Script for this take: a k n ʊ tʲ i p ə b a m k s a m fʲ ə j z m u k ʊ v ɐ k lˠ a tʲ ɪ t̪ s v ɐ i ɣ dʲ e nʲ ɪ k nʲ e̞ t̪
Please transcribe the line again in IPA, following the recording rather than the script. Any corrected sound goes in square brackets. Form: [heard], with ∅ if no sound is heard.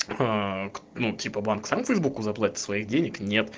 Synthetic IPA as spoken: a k n [u] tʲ i p ə b a [n] k s a m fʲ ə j z [b] u k ʊ [z] ɐ [p] lˠ a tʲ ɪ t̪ s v ɐ i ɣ dʲ e nʲ ɪ k nʲ e̞ t̪